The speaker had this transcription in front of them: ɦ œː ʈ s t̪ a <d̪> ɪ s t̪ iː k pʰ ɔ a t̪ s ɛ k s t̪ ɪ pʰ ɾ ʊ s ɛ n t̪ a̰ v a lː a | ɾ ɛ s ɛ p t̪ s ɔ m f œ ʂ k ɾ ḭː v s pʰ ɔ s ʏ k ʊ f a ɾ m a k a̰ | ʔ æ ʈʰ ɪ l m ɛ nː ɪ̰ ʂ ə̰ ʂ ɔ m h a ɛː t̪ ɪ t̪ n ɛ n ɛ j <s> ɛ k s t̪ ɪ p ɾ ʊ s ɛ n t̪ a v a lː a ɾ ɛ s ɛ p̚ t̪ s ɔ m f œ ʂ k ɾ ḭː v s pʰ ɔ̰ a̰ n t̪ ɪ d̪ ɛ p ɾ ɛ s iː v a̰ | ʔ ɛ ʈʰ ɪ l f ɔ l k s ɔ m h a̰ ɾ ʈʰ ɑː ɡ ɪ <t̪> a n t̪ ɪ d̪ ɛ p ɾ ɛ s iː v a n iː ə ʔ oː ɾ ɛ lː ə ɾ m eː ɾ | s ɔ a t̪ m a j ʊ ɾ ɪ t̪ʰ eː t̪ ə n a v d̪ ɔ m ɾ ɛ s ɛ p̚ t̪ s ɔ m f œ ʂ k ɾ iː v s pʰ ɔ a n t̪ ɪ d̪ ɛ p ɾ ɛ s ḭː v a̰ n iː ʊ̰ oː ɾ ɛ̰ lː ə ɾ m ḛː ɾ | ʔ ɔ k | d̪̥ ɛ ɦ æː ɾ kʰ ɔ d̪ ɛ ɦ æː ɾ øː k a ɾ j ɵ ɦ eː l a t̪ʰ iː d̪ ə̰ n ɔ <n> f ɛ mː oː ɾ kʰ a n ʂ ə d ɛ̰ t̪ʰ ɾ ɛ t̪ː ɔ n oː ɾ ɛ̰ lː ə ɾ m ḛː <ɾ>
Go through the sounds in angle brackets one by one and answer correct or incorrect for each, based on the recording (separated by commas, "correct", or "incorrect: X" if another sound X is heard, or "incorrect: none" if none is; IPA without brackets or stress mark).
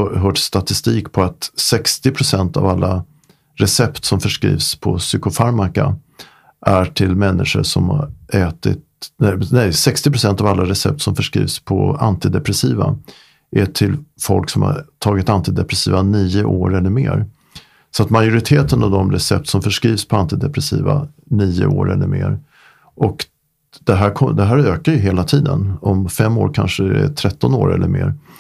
incorrect: t̪, correct, correct, incorrect: m, correct